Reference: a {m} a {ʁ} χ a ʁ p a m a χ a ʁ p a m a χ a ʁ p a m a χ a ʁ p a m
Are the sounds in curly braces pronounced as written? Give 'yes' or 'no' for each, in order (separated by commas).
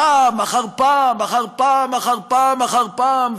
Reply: yes, no